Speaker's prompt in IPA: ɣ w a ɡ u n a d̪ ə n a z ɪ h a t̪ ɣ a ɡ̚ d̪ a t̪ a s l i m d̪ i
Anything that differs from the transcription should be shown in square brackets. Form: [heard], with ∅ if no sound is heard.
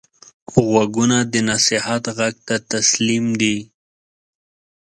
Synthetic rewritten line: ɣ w a ɡ u n a d̪ ə n a [s] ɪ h a t̪ ɣ a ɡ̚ [t̪] a t̪ a s l i m d̪ i